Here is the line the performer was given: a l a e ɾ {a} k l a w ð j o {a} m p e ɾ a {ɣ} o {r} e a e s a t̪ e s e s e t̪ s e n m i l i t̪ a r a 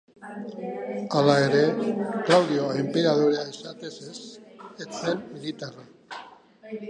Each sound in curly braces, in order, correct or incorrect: incorrect: e, incorrect: e, incorrect: ð, incorrect: ɾ

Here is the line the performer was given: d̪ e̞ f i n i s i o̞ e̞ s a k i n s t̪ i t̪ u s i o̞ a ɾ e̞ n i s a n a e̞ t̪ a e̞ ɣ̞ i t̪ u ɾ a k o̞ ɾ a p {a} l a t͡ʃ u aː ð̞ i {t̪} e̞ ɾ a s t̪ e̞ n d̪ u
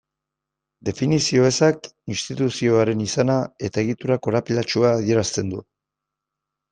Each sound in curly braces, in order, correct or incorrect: incorrect: i, incorrect: none

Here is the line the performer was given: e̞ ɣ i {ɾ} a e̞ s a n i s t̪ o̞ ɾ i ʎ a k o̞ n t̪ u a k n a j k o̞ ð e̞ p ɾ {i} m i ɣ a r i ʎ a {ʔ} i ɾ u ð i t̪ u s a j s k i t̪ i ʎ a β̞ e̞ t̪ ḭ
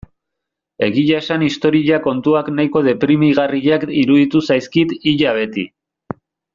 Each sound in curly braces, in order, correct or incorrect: incorrect: ʎ, correct, incorrect: k

